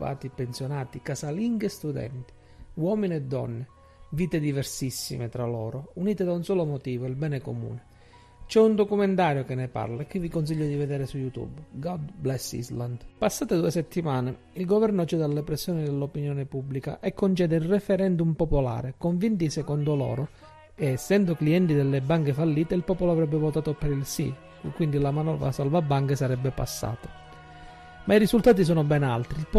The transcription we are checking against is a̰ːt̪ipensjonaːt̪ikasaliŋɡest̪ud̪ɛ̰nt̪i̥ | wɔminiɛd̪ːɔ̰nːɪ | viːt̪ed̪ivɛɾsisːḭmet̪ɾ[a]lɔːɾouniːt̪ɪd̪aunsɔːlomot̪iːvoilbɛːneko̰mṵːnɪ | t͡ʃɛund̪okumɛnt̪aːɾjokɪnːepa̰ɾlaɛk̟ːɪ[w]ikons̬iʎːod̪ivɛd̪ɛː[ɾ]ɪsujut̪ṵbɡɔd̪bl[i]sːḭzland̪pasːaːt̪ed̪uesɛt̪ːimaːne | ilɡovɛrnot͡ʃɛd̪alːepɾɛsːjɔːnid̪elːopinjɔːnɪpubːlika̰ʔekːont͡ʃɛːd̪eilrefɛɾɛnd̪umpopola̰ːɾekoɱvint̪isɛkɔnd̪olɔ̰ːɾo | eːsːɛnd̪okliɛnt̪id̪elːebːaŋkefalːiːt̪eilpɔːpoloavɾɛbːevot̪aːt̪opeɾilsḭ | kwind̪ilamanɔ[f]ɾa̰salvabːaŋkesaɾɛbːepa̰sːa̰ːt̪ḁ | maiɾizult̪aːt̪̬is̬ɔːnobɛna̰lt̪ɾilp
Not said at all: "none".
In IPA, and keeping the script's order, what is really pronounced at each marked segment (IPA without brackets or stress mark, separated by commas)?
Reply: a, v, ɾ, ɛ, v